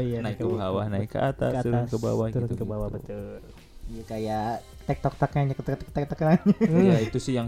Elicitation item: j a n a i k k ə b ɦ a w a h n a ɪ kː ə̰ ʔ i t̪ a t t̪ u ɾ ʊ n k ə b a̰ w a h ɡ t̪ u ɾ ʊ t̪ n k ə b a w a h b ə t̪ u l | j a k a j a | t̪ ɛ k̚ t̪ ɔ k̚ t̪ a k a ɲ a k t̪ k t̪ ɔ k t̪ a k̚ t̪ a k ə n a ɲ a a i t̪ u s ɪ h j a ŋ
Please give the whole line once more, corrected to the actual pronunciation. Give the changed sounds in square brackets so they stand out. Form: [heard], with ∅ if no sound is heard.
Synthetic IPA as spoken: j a n a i k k ə b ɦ a w a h n a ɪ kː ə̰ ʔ [a] t̪ a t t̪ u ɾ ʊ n k ə b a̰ w a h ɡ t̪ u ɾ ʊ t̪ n k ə b a w a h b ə t̪ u l | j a k a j a | t̪ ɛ k̚ t̪ ɔ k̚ t̪ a k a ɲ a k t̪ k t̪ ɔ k t̪ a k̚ t̪ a k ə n a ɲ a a i t̪ u s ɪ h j a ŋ